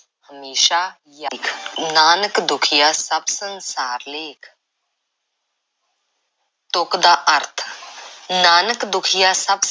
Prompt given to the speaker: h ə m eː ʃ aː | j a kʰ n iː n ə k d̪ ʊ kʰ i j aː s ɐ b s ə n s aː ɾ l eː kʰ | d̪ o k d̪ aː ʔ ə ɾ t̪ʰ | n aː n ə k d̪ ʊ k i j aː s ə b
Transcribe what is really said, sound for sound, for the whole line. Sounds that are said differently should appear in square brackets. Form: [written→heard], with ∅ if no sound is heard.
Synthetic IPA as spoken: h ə m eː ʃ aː | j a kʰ n [iː→aː] n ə k d̪ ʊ kʰ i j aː s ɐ b s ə n s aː ɾ l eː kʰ | [d̪→t̪] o k d̪ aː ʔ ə ɾ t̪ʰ | n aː n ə k d̪ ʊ [k→kʰ] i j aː s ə b